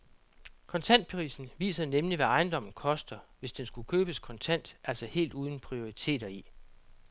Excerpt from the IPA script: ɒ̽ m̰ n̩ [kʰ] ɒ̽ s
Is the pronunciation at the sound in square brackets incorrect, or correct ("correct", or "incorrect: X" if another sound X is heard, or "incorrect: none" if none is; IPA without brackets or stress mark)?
correct